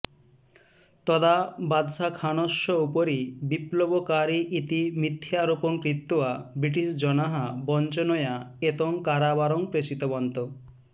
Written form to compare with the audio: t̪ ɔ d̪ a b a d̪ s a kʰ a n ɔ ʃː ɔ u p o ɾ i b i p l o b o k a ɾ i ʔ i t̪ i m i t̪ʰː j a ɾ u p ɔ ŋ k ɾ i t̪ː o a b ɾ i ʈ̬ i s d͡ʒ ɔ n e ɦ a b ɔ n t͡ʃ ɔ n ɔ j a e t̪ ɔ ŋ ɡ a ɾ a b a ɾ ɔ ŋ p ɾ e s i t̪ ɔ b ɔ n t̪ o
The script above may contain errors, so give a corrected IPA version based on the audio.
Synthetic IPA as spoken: t̪ ɔ d̪ a b a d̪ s a kʰ a n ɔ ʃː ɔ u p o ɾ i b i p l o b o k a ɾ i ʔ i t̪ i m i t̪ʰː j a ɾ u p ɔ ŋ k ɾ i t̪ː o a b ɾ i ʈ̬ i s d͡ʒ ɔ n a ɦ a b ɔ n t͡ʃ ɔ n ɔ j a e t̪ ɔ ŋ k a ɾ a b a ɾ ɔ ŋ p ɾ e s i t̪ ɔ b ɔ n t̪ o